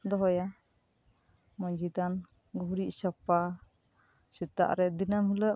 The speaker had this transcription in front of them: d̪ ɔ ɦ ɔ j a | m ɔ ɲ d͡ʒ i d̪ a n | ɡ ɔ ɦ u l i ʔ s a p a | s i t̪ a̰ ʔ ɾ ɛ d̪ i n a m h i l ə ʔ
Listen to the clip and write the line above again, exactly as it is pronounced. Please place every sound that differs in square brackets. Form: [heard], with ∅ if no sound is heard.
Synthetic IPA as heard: d̪ ɔ ɦ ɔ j a | m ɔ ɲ d͡ʒ i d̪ a n | ɡ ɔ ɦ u [ɾ] i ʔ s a p a | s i t̪ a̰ ʔ ɾ ɛ d̪ i n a m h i l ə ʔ